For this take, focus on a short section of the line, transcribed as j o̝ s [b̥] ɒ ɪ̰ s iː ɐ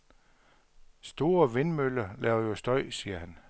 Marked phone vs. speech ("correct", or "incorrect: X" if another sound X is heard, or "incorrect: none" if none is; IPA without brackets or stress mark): incorrect: d̥